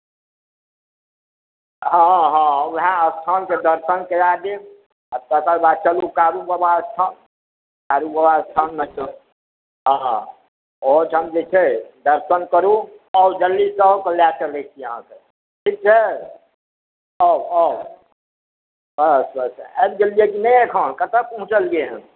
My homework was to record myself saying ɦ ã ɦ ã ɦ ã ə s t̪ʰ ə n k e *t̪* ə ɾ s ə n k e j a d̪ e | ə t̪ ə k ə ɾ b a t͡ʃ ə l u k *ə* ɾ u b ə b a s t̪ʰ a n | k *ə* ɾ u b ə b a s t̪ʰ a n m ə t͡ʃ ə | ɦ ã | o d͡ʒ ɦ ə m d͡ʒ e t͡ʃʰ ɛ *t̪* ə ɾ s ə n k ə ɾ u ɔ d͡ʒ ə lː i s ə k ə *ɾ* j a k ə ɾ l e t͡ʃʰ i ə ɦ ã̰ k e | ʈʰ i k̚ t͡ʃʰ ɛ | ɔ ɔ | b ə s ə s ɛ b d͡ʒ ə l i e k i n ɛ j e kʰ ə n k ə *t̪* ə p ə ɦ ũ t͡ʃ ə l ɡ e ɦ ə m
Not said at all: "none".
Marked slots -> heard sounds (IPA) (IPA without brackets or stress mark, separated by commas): d̪, a, a, d̪, l, t̪